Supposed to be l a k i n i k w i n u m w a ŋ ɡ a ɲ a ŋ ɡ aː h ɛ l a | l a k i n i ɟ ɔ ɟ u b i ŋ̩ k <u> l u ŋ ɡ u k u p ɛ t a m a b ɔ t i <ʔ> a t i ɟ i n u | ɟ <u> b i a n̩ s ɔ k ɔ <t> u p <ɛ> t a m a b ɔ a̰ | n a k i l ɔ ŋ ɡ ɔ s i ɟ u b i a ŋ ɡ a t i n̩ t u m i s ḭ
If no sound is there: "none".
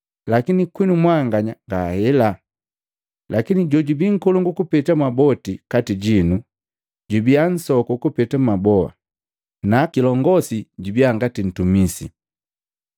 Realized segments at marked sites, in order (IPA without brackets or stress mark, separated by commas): ɔ, k, u, k, ɛ